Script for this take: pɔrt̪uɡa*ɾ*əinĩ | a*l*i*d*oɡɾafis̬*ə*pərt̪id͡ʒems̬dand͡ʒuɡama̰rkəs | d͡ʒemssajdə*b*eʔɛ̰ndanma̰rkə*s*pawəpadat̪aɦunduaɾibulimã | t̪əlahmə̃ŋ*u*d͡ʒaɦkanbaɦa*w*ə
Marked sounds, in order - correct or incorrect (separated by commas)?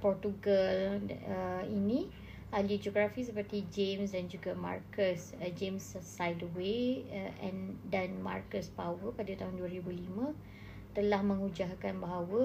incorrect, correct, incorrect, correct, incorrect, correct, correct, correct